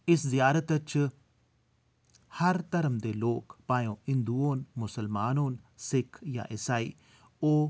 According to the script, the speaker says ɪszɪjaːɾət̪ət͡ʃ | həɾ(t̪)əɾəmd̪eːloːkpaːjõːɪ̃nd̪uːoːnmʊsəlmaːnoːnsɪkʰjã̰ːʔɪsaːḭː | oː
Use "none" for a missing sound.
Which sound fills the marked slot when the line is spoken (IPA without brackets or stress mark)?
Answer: t̪